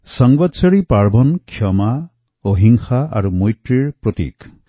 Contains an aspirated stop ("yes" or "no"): yes